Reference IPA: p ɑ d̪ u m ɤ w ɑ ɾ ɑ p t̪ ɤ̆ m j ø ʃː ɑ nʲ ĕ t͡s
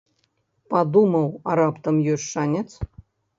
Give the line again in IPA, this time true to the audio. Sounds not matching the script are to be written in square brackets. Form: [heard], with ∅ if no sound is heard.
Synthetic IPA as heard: p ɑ d̪ u m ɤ w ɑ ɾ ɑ p t̪ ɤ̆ m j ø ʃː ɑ nʲ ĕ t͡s

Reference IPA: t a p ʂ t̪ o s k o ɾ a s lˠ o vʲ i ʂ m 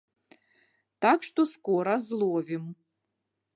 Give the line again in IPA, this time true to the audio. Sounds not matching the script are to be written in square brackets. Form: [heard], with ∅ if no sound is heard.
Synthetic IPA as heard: t a [k] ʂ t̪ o s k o ɾ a [z] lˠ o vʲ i [∅] m

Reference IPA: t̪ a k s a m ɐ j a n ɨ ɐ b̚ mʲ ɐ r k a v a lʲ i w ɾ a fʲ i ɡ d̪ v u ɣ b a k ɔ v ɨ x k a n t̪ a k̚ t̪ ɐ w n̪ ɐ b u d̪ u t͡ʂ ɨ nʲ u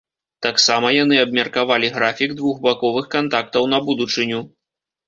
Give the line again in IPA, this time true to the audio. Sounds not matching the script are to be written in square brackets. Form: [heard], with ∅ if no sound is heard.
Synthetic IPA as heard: t̪ a k s a m ɐ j a n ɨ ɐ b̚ mʲ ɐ r k a v a lʲ i [ɣ] ɾ a fʲ i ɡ d̪ v u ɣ b a k ɔ v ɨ x k a n t̪ a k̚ t̪ ɐ w n̪ ɐ b u d̪ u t͡ʂ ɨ nʲ u

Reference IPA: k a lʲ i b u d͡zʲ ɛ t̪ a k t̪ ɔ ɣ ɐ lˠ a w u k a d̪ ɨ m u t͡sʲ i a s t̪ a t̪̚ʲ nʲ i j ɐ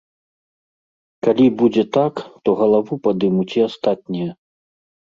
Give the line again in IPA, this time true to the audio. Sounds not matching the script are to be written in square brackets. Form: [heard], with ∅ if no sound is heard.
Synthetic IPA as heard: k a lʲ i b u d͡zʲ ɛ t̪ a k t̪ ɔ ɣ ɐ lˠ a [v] u [p] a d̪ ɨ m u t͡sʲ i a s t̪ a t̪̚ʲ nʲ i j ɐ

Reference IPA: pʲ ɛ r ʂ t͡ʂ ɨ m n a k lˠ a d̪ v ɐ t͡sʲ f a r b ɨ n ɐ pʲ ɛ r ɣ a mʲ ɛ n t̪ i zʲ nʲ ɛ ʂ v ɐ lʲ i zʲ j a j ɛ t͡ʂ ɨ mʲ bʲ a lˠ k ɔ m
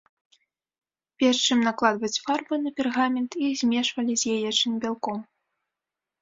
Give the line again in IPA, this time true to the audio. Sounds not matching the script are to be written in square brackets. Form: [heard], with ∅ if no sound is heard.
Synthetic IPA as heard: pʲ ɛ r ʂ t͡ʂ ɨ m n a k lˠ a d̪ v ɐ t͡sʲ f a r b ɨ n ɐ pʲ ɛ r ɣ a mʲ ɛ n t̪ i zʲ [mʲ] ɛ ʂ v ɐ lʲ i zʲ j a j ɛ t͡ʂ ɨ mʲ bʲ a lˠ k ɔ m

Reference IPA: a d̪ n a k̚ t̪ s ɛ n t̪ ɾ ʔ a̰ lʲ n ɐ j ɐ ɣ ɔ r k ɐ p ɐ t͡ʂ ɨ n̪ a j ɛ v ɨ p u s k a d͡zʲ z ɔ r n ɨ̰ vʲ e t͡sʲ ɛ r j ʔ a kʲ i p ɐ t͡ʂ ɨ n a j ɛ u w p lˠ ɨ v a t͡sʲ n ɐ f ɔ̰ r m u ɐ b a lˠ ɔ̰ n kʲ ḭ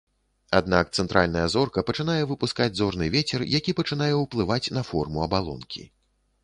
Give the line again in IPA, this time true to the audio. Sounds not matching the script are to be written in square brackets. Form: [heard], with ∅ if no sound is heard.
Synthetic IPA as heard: a d̪ n a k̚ t̪ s ɛ n t̪ ɾ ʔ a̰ lʲ n ɐ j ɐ [z] ɔ r k ɐ p ɐ t͡ʂ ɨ n̪ a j ɛ v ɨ p u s k a d͡zʲ z ɔ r n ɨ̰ vʲ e t͡sʲ ɛ r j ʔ a kʲ i p ɐ t͡ʂ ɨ n a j ɛ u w p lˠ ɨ v a t͡sʲ n ɐ f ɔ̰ r m u ɐ b a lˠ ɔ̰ n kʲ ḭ

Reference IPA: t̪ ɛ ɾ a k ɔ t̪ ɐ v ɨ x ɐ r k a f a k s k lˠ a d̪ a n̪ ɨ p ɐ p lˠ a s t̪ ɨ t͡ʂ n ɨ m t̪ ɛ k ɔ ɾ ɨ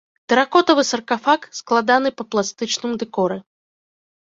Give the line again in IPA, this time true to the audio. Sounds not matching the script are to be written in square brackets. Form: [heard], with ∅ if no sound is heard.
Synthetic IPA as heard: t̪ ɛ ɾ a k ɔ t̪ ɐ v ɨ [s] ɐ r k a f a k s k lˠ a d̪ a n̪ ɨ p ɐ p lˠ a s t̪ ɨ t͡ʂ n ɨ m [d̪] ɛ k ɔ ɾ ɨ

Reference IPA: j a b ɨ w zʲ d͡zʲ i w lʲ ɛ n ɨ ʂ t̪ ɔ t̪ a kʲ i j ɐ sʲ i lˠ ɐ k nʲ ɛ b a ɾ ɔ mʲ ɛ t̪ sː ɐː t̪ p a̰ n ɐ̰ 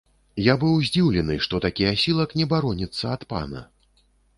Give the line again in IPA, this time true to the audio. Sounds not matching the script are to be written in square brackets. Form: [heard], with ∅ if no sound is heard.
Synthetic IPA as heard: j a b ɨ w zʲ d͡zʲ i w lʲ ɛ n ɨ ʂ t̪ ɔ t̪ a kʲ i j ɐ sʲ i lˠ ɐ k nʲ ɛ b a ɾ ɔ [nʲ] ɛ t̪ sː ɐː t̪ p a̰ n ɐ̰

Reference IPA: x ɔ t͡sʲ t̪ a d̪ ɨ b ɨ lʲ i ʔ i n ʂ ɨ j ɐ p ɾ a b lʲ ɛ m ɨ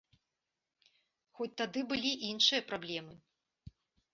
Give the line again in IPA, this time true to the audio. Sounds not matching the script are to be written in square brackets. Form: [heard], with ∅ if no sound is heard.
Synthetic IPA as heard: x ɔ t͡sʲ t̪ a d̪ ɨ b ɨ lʲ i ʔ i n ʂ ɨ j ɐ p ɾ a b lʲ ɛ m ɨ

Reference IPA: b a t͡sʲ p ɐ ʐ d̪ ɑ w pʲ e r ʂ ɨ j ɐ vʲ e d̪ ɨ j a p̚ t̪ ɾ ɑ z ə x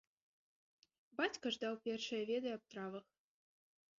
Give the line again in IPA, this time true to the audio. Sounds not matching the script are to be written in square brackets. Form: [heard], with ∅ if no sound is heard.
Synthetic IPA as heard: b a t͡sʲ [k] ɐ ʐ d̪ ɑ w pʲ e r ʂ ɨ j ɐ vʲ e d̪ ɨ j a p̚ t̪ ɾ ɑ [v] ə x

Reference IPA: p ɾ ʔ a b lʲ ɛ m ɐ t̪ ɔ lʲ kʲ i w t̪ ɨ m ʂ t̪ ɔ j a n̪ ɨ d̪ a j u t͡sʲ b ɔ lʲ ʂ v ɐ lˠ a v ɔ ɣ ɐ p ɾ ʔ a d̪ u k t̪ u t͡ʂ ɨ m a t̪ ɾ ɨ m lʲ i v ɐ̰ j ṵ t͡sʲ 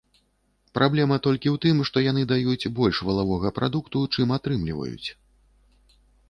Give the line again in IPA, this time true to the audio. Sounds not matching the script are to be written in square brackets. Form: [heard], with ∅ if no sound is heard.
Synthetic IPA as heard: p ɾ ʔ a b lʲ ɛ m ɐ t̪ ɔ lʲ kʲ i w t̪ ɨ m ʂ t̪ ɔ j a n̪ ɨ d̪ a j u t͡sʲ b ɔ lʲ ʂ v ɐ lˠ a v ɔ ɣ ɐ p ɾ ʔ a d̪ u k t̪ u t͡ʂ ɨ m a t̪ ɾ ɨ m lʲ i v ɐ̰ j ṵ t͡sʲ

